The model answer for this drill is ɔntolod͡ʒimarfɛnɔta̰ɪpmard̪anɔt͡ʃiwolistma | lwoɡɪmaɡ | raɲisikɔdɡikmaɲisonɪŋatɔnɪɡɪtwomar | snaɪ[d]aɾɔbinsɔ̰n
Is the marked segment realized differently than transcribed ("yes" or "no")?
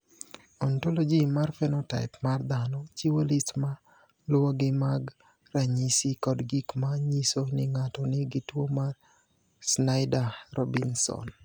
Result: no